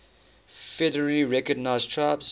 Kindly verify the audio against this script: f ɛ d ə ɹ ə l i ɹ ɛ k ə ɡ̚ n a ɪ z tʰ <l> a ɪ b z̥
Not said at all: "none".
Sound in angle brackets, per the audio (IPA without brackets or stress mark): ɹ